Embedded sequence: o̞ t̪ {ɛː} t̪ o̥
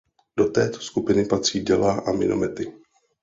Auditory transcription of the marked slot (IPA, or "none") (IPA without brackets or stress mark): ɛː